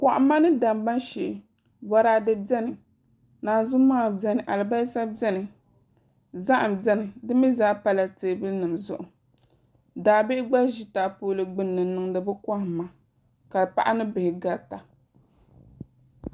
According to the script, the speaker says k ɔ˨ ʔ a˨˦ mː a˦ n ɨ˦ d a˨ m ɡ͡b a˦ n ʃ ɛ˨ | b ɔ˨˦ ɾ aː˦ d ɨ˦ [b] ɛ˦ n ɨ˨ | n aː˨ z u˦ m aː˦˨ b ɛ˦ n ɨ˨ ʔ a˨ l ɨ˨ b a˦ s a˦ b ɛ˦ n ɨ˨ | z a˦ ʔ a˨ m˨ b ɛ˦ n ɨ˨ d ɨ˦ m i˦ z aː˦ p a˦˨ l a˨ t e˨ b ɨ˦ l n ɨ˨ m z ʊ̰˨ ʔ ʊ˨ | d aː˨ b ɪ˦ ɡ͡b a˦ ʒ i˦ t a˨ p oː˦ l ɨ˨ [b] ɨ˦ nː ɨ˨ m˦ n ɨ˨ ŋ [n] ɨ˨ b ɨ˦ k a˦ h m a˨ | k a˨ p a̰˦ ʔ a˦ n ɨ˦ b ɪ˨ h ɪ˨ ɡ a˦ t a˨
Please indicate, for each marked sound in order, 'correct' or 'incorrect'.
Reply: correct, incorrect, incorrect

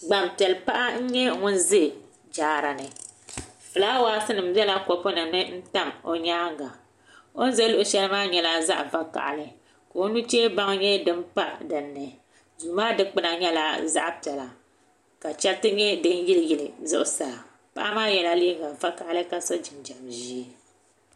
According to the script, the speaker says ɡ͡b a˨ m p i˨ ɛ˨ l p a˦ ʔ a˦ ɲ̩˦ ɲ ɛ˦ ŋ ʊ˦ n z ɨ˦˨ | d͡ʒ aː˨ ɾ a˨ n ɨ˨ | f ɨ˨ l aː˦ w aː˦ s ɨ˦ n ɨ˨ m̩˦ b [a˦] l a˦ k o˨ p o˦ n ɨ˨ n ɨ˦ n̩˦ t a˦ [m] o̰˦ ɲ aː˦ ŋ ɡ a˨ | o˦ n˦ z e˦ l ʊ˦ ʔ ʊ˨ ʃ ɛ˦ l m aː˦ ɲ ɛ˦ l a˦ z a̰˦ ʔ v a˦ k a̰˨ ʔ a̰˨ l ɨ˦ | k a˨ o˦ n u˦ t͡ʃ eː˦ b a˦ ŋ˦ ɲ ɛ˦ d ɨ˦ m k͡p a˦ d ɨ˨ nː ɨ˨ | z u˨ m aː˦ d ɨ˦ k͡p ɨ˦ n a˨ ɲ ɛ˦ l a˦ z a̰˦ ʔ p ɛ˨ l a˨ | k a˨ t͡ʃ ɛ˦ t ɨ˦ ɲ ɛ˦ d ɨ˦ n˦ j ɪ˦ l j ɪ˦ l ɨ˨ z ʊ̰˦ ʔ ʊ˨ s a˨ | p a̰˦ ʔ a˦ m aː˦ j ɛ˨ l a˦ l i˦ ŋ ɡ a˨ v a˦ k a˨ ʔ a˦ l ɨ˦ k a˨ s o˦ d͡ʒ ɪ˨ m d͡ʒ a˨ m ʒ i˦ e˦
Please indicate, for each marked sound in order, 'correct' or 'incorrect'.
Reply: incorrect, correct

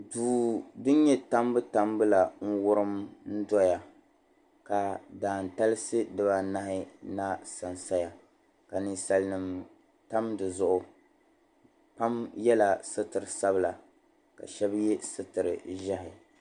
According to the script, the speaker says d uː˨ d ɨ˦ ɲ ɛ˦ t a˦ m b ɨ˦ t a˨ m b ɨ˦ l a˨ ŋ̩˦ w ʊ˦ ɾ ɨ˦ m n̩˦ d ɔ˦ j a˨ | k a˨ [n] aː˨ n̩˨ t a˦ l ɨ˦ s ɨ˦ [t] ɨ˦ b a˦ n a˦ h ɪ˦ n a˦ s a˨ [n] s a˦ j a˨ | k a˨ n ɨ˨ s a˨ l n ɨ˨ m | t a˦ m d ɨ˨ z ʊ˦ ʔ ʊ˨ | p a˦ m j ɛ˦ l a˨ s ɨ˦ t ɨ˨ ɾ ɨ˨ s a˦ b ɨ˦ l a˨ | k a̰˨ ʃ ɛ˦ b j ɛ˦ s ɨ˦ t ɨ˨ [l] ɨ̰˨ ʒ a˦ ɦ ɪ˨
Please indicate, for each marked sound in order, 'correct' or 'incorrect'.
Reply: incorrect, incorrect, correct, incorrect

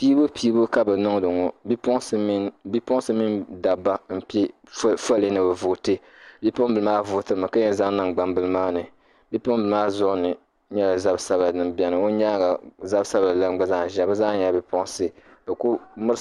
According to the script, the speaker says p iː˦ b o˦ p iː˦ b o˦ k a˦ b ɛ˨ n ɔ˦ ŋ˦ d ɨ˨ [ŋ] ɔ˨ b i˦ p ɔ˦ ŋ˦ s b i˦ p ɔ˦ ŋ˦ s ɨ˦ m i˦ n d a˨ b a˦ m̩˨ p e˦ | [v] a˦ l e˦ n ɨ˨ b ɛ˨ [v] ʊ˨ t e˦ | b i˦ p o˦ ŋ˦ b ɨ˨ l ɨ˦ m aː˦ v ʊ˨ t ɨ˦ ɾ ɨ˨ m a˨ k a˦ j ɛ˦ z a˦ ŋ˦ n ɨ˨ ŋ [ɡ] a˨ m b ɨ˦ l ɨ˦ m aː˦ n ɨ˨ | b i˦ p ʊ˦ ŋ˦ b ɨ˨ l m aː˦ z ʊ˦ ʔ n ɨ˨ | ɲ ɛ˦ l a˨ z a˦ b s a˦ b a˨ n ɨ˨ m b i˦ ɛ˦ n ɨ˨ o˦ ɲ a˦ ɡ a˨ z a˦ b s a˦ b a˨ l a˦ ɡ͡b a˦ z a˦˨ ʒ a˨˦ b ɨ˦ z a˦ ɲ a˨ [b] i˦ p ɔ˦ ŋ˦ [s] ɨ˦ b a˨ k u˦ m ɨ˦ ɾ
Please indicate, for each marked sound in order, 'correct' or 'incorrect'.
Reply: correct, incorrect, correct, incorrect, correct, correct

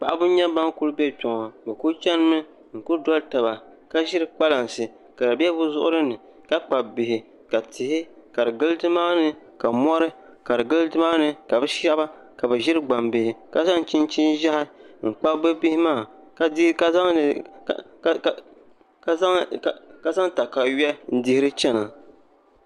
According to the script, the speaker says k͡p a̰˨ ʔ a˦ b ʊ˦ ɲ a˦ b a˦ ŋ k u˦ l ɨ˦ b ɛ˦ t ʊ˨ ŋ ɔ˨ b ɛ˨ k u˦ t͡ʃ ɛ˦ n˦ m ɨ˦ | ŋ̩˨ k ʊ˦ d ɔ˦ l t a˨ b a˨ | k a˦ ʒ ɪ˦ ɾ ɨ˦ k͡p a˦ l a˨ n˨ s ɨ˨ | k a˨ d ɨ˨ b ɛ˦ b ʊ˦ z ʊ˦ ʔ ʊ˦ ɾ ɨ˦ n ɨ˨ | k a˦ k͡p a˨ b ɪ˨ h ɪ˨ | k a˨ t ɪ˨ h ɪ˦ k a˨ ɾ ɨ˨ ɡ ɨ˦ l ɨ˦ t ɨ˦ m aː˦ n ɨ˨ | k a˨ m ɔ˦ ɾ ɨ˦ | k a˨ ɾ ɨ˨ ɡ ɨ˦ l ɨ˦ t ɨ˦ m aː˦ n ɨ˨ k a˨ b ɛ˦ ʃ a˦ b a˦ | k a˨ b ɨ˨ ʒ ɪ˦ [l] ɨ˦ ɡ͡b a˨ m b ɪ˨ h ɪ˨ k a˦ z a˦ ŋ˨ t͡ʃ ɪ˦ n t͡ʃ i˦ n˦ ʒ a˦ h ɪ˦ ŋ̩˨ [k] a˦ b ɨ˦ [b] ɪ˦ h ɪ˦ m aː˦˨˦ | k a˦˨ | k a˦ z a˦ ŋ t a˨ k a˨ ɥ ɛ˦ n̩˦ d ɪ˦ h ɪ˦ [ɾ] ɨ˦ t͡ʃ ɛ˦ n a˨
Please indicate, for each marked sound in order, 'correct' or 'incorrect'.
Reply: incorrect, incorrect, correct, correct

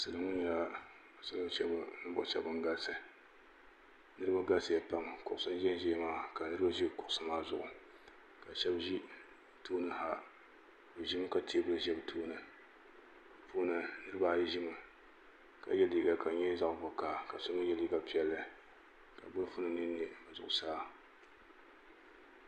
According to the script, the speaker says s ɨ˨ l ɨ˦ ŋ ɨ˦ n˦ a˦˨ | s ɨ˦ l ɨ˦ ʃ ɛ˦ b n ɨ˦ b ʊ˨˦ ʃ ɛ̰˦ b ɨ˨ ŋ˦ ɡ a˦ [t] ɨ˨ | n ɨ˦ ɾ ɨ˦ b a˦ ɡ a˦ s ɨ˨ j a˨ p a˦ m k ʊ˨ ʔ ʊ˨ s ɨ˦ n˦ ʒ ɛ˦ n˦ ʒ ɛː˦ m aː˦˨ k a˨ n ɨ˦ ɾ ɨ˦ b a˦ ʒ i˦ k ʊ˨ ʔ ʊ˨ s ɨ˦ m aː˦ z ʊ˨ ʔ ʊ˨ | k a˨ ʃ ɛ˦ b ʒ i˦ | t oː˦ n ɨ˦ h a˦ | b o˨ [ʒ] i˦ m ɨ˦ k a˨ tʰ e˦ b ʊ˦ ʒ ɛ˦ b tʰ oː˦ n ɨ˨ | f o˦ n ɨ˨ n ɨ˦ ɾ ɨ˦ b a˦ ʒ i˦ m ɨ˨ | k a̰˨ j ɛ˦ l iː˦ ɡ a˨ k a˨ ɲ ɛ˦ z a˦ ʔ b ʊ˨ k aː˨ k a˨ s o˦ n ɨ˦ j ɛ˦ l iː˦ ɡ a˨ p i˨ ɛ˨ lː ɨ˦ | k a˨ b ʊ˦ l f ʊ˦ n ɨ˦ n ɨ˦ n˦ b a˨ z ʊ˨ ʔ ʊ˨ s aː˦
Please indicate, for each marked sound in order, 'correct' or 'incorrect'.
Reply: incorrect, correct

